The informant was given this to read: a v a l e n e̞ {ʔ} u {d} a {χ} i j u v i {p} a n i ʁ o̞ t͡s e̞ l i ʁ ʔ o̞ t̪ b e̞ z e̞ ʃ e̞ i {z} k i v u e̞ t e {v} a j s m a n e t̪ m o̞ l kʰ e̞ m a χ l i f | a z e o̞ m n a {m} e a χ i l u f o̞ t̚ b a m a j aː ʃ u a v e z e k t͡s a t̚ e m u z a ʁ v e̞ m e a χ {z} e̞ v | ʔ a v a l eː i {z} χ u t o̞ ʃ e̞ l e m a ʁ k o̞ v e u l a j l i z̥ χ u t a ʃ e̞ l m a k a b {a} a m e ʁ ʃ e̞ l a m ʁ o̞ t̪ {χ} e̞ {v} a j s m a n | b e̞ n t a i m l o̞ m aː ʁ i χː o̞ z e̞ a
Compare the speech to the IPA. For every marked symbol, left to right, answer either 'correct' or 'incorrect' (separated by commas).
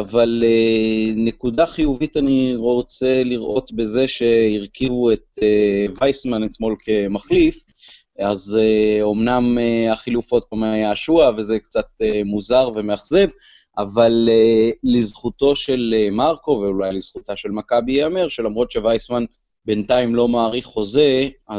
incorrect, correct, correct, incorrect, incorrect, correct, correct, correct, correct, incorrect, incorrect, correct